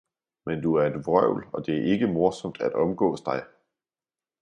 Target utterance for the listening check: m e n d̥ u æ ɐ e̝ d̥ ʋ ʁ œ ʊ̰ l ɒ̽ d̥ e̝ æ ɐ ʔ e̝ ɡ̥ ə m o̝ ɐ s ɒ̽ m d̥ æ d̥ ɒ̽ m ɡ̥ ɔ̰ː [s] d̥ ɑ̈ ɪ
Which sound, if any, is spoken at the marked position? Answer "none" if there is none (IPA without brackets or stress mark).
s